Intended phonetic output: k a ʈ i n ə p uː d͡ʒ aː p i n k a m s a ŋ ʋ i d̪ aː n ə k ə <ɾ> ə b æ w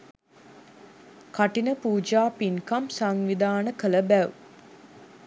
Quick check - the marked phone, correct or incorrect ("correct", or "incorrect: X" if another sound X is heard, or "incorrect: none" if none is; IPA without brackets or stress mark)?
incorrect: l